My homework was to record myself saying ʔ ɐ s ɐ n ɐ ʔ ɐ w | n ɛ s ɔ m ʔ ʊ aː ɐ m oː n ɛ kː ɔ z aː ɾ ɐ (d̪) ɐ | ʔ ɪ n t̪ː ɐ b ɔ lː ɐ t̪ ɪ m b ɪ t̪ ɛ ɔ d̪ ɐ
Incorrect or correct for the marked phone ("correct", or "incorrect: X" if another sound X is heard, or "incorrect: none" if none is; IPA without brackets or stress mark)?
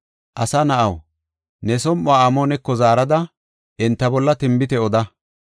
correct